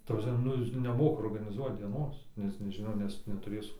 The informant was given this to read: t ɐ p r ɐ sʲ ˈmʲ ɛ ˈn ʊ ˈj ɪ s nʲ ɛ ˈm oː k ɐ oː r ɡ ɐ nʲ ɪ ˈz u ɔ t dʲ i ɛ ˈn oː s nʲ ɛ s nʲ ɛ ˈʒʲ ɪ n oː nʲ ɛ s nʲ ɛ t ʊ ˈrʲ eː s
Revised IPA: t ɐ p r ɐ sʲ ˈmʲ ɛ ˈn ʊ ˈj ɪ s nʲ ɛ ˈm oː k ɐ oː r ɡ ɐ nʲ ɪ ˈz u ɔ t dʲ i ɛ ˈn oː s nʲ ɛ s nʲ ɛ ˈʒʲ ɪ n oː nʲ ɛ s nʲ ɛ t ʊ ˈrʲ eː s